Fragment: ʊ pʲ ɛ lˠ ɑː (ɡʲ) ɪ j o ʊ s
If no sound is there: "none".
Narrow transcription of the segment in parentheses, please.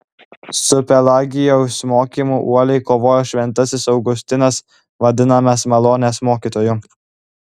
ɡʲ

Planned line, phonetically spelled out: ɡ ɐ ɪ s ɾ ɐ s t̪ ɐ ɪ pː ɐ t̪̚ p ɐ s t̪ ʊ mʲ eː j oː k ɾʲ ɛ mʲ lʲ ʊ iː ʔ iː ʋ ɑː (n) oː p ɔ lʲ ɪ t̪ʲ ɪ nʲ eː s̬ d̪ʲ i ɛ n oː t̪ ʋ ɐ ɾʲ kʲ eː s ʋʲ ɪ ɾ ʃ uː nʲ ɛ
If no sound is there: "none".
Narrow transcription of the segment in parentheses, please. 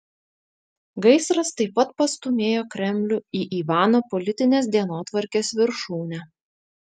n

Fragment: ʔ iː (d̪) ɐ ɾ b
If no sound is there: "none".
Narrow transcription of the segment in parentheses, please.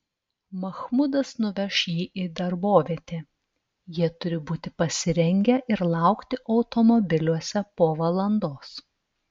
d̪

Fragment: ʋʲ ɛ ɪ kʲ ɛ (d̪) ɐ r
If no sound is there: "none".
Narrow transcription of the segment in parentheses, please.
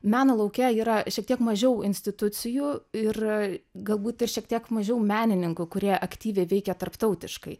t̪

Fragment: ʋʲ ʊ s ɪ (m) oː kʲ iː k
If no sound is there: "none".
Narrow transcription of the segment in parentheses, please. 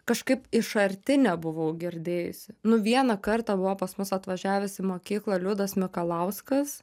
m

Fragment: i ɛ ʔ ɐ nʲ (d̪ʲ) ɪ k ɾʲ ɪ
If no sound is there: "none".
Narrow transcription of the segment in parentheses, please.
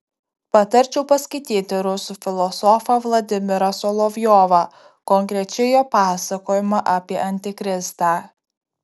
t̪ʲ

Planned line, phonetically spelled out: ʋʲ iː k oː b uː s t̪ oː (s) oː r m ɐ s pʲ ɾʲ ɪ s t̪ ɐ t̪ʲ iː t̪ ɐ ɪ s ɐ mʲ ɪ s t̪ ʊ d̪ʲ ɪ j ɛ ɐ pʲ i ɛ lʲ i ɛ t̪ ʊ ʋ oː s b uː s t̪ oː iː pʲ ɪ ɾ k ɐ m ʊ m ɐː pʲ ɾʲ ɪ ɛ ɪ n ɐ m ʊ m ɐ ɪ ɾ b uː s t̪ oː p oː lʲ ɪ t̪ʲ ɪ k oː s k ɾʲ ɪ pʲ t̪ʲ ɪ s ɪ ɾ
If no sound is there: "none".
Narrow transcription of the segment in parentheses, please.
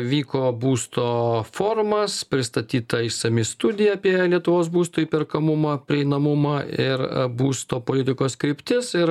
f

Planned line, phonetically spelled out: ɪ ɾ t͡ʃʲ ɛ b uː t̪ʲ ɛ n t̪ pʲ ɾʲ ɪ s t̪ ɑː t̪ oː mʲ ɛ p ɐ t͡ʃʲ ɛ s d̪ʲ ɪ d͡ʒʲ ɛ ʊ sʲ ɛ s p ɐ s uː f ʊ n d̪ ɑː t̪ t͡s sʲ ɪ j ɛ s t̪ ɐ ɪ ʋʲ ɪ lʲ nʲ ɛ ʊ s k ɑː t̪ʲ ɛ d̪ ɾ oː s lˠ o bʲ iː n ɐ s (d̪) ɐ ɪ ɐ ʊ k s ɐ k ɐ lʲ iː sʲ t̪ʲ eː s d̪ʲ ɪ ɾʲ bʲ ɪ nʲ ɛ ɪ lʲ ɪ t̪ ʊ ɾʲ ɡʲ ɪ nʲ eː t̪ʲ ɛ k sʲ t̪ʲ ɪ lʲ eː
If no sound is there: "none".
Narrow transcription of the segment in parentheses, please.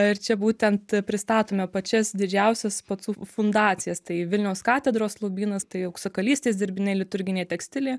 t̪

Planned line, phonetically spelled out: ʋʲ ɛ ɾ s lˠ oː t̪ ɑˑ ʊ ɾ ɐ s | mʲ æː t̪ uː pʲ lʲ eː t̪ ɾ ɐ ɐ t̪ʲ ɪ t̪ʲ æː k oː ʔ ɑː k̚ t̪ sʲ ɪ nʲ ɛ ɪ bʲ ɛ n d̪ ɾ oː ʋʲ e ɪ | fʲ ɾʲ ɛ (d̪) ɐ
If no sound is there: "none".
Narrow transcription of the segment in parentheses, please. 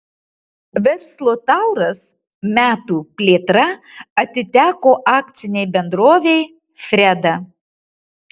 d̪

